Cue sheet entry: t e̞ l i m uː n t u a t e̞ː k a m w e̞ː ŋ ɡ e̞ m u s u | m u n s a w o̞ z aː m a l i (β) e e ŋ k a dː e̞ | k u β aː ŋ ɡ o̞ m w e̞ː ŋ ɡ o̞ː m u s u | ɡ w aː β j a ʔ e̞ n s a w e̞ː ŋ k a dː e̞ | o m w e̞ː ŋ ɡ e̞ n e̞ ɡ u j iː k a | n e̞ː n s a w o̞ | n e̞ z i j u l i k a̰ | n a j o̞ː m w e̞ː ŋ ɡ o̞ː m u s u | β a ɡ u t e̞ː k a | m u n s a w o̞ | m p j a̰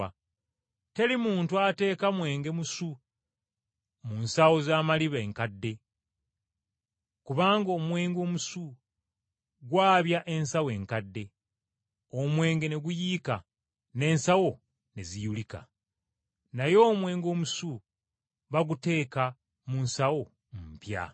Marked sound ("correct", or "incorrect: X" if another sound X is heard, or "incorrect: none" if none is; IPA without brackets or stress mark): correct